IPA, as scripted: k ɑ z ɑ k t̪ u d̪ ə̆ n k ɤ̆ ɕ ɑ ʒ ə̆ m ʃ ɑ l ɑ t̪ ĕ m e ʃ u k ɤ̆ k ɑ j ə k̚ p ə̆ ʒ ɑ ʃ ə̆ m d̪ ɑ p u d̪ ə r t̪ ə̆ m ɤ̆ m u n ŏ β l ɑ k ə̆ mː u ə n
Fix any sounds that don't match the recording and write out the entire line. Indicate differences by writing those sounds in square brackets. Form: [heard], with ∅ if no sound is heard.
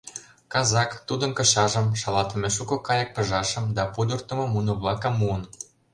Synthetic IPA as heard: k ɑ z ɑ k t̪ u d̪ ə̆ n k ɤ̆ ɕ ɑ ʒ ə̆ m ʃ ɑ l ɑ t̪ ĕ m e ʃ u k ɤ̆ k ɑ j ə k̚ p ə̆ ʒ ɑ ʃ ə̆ m d̪ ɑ p u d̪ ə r t̪ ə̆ m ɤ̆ m u n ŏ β l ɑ k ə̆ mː u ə n